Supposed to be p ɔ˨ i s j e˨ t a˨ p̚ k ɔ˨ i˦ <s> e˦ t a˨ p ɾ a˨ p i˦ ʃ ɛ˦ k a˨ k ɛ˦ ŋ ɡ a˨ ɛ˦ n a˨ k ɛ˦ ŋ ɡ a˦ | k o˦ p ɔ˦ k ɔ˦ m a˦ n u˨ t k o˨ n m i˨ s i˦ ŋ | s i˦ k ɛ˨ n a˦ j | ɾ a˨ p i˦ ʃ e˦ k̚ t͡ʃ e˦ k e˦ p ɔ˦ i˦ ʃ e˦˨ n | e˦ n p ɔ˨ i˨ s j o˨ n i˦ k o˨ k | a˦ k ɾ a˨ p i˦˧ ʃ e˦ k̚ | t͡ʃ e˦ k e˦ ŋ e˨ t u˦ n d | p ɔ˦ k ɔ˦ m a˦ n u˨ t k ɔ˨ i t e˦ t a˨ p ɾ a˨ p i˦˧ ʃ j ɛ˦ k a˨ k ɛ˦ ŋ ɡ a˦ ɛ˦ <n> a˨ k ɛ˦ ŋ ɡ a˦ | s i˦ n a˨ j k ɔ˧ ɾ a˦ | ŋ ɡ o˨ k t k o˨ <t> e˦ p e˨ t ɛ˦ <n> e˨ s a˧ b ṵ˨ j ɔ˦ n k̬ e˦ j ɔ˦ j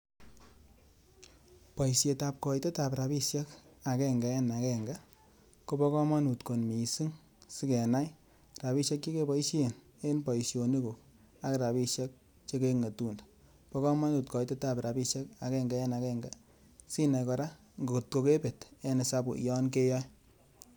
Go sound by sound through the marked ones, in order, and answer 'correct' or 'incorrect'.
incorrect: t, correct, incorrect: k, correct

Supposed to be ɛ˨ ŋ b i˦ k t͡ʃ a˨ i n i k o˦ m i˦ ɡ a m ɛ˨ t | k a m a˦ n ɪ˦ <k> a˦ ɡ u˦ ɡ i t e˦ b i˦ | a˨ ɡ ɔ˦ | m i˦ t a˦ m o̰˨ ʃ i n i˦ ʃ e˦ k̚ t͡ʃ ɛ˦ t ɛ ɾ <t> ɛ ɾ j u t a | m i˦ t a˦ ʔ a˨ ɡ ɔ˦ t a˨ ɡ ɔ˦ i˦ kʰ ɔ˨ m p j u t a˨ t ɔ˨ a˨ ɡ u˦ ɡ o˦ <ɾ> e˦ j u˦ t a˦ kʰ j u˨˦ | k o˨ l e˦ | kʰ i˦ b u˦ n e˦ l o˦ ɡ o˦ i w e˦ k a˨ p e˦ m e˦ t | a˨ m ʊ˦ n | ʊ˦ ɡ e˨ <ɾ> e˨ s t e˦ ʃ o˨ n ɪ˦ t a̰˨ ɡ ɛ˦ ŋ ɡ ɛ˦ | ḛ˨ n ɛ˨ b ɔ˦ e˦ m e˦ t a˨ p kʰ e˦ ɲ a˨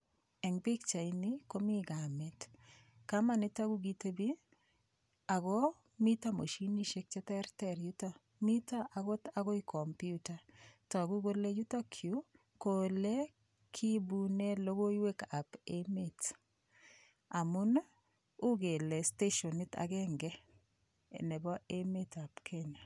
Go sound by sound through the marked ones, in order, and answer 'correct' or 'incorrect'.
incorrect: t, correct, incorrect: l, incorrect: l

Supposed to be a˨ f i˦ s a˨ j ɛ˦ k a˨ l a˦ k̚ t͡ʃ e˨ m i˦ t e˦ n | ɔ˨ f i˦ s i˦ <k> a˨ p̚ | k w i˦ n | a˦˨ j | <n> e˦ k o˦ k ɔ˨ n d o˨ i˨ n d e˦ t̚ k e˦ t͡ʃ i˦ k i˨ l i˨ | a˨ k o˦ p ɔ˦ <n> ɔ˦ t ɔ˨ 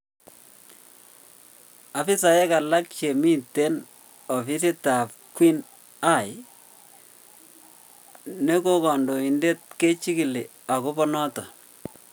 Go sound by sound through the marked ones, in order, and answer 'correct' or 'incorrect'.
incorrect: t, correct, correct

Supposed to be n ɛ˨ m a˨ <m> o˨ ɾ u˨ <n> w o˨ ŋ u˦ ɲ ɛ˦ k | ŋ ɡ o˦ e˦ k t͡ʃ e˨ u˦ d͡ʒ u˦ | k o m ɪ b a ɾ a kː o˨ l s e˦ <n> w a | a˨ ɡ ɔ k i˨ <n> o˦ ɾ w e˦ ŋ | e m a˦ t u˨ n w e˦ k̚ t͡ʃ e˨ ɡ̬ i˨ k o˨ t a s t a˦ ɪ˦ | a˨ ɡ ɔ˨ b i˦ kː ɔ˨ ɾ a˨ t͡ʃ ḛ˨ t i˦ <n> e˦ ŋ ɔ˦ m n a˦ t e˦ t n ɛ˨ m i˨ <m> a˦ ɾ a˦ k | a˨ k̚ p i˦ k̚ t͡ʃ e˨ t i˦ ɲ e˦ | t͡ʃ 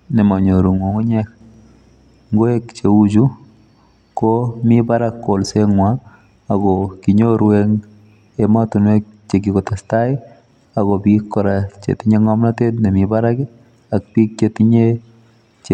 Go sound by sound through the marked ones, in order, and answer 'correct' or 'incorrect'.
incorrect: ɲ, incorrect: ŋ, incorrect: ŋ, incorrect: ɲ, incorrect: ɲ, incorrect: b

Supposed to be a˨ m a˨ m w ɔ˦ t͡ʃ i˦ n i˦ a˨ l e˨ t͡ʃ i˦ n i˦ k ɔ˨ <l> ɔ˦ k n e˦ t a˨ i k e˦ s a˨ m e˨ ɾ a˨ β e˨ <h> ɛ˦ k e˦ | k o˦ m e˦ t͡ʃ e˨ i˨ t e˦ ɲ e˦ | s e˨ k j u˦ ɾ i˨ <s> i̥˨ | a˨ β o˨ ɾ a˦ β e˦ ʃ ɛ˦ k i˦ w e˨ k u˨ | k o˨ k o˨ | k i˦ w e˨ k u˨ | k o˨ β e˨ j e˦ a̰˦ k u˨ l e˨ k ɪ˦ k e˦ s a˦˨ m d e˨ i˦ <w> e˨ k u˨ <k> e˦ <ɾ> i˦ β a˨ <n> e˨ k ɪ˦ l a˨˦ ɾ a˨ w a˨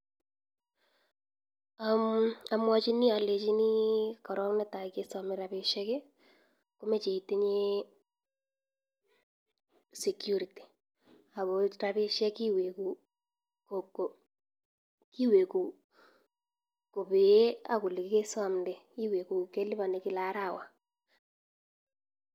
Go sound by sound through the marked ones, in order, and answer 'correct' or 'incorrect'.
incorrect: ɾ, incorrect: ʃ, incorrect: t, correct, correct, incorrect: l, correct

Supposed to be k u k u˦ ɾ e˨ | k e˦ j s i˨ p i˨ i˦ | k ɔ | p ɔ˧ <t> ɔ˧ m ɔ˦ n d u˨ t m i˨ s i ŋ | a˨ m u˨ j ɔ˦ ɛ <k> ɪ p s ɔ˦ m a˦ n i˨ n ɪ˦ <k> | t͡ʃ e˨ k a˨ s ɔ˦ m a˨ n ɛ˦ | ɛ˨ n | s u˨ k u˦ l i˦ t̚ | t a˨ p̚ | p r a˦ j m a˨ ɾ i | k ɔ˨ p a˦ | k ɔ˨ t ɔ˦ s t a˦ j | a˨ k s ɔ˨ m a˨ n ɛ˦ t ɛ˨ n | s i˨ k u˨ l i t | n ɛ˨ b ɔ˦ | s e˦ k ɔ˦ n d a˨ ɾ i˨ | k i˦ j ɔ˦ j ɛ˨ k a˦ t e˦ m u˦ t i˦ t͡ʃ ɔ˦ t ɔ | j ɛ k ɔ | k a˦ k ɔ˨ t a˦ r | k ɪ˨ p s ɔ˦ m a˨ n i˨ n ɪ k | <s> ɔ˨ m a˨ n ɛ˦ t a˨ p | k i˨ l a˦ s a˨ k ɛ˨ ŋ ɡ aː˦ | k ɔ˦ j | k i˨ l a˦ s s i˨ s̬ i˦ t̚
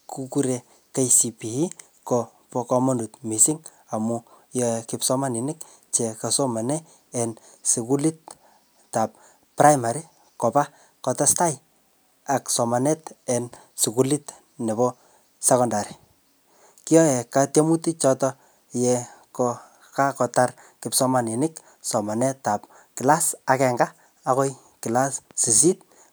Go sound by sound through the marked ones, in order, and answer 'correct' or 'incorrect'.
incorrect: k, correct, correct, correct

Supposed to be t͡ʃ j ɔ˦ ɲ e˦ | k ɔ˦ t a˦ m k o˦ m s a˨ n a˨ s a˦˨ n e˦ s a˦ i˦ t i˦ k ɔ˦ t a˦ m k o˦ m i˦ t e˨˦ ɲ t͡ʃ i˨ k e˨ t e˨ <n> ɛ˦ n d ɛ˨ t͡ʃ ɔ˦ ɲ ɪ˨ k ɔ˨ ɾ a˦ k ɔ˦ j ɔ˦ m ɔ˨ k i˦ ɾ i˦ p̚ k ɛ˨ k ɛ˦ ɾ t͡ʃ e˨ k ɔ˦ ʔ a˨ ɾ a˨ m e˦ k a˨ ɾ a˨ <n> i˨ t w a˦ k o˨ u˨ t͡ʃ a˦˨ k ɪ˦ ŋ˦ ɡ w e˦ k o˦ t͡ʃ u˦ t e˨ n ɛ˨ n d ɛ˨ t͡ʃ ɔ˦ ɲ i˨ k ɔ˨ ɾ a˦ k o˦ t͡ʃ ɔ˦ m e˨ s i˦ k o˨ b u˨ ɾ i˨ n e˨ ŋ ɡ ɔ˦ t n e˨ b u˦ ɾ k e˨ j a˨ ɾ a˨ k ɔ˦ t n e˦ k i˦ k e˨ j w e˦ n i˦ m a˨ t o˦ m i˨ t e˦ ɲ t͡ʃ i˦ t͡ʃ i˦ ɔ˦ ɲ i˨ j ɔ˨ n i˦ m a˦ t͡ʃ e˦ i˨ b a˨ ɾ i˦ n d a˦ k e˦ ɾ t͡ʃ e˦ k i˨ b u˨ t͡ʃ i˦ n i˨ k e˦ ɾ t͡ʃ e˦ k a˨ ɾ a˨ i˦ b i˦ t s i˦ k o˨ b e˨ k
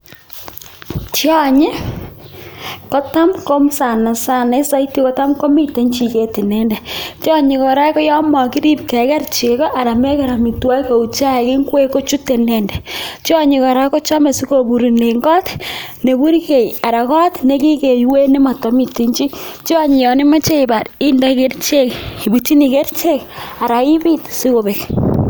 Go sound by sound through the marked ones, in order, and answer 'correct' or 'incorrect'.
correct, incorrect: m

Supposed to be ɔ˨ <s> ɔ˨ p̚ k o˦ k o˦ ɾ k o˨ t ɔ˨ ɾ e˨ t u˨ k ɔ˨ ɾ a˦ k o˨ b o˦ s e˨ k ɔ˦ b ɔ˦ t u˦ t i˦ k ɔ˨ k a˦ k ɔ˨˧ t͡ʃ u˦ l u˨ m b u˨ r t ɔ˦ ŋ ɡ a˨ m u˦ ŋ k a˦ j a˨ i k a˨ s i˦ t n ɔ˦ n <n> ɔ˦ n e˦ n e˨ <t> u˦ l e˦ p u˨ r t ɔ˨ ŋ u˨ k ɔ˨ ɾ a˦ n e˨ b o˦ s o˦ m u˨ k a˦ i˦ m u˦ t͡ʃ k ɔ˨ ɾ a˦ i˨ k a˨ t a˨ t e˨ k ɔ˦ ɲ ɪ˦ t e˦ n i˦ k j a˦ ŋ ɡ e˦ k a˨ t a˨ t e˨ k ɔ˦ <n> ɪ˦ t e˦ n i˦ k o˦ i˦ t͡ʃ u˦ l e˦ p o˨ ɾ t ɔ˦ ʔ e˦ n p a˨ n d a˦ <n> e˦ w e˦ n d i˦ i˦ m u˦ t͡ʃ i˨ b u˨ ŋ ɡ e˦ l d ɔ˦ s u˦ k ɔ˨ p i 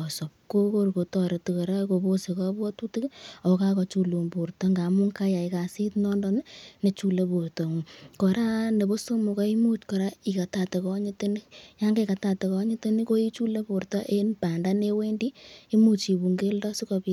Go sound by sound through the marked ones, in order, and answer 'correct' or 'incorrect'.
correct, incorrect: d, incorrect: t͡ʃ, incorrect: ɲ, correct

